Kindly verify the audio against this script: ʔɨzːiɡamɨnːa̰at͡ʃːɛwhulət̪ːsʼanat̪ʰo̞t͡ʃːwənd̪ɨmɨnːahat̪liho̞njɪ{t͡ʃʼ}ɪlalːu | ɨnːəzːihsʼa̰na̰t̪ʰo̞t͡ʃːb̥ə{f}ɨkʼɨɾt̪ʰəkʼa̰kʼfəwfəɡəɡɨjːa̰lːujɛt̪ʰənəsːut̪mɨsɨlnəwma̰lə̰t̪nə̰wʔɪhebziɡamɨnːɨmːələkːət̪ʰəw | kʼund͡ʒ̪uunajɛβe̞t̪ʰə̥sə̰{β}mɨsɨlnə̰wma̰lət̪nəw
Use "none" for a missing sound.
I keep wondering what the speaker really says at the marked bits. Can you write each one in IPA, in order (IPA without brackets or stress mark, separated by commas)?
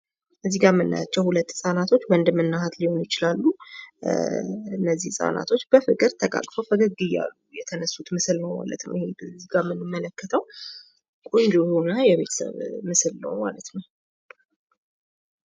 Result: t͡ʃ, f, β